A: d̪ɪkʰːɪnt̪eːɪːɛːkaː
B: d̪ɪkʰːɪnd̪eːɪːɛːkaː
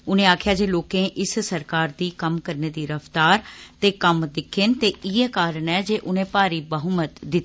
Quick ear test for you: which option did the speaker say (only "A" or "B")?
A